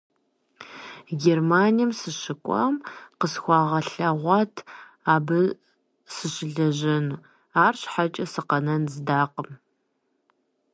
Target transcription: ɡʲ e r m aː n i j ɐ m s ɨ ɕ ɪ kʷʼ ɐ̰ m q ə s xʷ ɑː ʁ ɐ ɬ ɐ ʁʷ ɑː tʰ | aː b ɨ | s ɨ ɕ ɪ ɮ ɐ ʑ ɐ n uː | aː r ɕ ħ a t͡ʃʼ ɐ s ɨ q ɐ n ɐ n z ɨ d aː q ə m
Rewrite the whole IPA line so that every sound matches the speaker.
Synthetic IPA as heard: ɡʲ e r m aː n i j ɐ m s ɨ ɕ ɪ kʷʼ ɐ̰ m q ə s xʷ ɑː ʁ ɐ ɬ ɐ ʁʷ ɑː tʰ | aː b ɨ | s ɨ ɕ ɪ ɮ ɐ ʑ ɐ n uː | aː r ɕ ħ a t͡ʃʼ ɐ s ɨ q ɐ n ɐ n z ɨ d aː q ə m